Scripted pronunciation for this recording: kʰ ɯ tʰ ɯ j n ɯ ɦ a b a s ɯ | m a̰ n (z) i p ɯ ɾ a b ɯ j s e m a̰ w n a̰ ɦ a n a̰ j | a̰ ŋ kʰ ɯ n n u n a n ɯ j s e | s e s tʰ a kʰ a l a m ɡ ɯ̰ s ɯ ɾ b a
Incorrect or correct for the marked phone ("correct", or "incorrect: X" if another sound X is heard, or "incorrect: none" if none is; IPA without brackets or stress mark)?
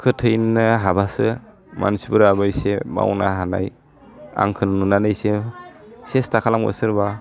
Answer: incorrect: s